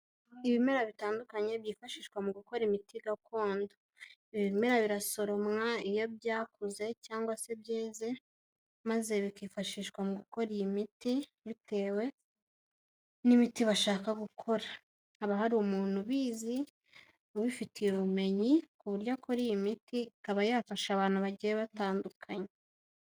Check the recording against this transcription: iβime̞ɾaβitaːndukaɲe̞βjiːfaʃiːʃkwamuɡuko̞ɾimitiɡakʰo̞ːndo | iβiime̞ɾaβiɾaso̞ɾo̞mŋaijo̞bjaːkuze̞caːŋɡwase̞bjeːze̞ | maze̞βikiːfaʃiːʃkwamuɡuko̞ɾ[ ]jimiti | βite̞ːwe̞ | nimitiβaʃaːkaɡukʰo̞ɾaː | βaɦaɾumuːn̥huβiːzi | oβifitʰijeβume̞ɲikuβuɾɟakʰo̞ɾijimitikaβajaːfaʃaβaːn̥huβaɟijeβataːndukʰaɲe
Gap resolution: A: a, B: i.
B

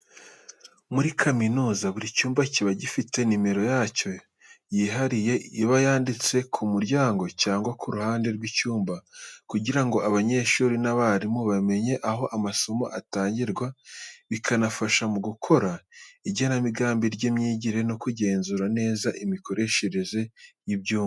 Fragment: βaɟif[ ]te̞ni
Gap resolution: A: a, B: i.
B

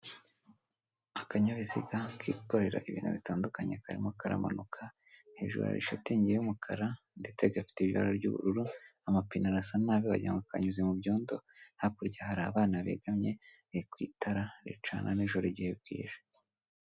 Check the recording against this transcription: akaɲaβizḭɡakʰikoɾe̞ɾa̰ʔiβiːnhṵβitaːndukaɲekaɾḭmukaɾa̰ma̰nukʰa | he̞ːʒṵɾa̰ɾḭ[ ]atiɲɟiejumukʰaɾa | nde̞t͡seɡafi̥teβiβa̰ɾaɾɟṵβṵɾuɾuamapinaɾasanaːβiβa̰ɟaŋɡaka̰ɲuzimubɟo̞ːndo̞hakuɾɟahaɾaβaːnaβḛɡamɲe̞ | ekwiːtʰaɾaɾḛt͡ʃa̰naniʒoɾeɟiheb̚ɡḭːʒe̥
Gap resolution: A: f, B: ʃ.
B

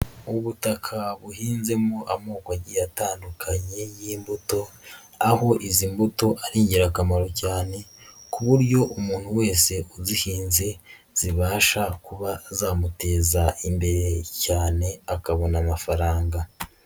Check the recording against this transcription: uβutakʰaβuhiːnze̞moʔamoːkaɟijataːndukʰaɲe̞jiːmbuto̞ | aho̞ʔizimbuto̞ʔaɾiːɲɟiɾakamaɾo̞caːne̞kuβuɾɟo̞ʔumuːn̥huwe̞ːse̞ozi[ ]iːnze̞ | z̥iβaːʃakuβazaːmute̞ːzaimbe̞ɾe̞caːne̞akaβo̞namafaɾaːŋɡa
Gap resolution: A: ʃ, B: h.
B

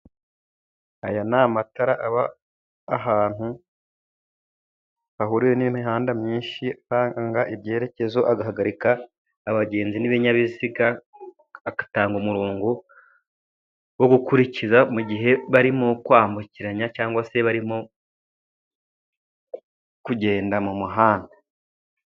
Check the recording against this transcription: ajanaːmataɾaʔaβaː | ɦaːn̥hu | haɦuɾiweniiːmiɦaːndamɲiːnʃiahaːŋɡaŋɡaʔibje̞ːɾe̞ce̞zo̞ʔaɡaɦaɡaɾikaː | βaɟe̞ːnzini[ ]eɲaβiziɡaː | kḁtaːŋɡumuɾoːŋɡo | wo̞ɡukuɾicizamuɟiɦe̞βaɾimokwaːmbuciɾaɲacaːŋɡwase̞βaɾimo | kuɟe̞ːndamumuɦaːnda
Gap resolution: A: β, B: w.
A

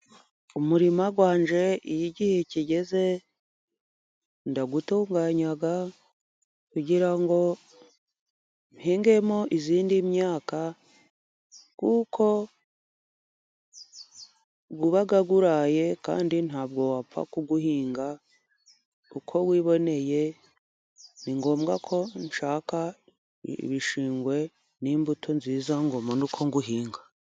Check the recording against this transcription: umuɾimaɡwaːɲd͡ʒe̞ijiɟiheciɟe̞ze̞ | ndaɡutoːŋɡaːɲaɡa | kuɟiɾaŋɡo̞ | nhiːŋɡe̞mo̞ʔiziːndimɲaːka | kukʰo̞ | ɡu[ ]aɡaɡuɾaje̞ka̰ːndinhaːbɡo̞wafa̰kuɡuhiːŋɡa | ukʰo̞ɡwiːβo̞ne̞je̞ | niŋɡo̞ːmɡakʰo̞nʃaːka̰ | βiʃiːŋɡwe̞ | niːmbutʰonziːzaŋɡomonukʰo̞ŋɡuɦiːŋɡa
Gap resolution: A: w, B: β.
B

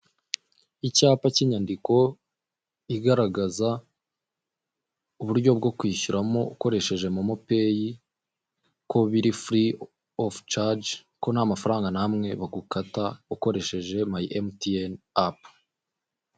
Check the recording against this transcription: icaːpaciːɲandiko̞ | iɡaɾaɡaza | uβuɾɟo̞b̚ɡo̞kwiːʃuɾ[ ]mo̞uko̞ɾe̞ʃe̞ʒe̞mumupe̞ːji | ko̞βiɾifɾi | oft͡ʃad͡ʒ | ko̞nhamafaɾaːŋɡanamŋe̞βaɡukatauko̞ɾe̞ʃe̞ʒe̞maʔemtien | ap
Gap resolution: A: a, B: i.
A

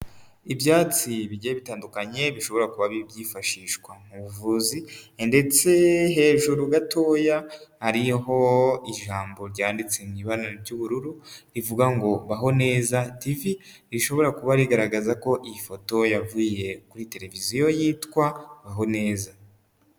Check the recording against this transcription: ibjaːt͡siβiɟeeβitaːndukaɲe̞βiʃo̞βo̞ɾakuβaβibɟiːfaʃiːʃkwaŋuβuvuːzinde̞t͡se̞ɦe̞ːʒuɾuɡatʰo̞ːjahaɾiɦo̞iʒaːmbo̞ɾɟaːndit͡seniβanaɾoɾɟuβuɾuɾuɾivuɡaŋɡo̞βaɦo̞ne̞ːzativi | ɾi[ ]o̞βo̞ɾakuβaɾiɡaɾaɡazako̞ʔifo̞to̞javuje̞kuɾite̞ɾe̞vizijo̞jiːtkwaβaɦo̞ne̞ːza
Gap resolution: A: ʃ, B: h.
A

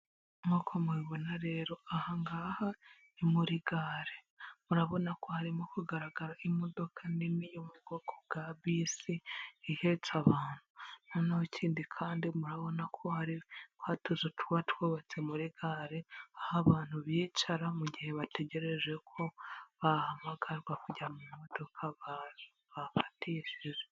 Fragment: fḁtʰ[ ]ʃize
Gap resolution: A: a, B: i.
B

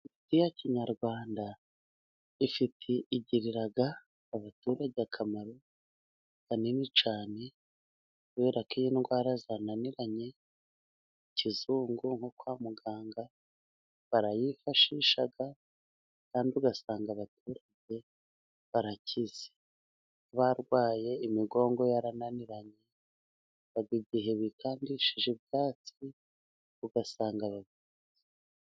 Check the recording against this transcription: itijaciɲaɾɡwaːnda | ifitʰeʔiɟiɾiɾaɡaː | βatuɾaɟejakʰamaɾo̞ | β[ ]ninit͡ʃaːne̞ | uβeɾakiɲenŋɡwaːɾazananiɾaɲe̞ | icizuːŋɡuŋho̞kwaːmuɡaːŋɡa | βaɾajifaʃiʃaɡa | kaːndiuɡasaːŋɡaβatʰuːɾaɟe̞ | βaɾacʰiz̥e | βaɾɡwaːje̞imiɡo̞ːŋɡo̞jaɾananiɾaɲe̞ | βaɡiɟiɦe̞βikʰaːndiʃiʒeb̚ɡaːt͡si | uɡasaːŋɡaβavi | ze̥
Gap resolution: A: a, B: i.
A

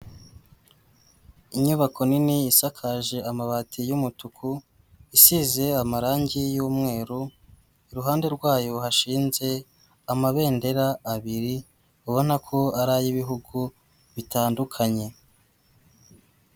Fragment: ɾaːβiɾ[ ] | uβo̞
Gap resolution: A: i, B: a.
A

